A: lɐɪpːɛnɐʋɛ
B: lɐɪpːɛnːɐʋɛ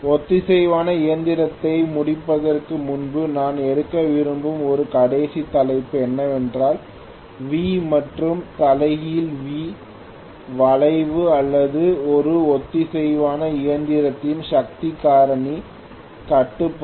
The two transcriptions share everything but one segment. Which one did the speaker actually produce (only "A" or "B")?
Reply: B